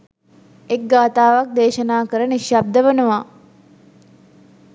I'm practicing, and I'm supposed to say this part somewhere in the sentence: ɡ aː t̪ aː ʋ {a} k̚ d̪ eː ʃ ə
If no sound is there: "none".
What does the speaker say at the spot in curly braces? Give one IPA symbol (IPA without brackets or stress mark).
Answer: a